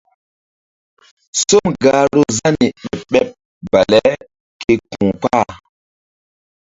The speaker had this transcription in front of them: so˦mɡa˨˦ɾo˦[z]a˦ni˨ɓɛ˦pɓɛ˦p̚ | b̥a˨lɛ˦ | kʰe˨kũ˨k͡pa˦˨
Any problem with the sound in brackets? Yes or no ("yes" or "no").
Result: no